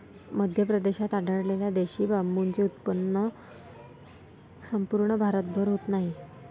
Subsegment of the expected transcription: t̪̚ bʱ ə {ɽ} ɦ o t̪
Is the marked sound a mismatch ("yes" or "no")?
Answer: yes